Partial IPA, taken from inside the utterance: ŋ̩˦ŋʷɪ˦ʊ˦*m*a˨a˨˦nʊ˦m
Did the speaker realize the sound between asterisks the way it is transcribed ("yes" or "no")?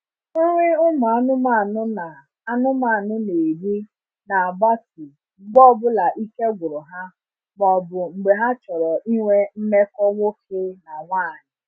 yes